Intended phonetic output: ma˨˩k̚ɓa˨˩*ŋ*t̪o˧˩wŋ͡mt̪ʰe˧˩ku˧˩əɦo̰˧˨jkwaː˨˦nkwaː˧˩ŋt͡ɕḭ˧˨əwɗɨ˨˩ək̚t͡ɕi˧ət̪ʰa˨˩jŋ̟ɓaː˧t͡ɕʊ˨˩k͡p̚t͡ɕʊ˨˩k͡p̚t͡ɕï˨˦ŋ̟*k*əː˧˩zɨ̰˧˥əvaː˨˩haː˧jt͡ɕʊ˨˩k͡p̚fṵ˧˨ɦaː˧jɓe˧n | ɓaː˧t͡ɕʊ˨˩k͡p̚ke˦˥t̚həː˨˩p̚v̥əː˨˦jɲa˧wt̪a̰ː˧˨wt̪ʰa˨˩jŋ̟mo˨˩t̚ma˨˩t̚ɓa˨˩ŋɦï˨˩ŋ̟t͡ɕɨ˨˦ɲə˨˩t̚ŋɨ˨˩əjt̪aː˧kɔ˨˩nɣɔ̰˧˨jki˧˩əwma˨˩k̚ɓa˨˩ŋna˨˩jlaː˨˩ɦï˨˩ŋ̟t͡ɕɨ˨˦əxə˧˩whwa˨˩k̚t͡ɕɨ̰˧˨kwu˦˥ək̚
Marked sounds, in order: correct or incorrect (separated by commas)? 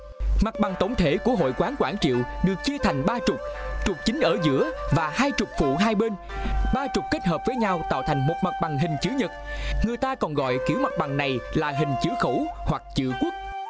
correct, incorrect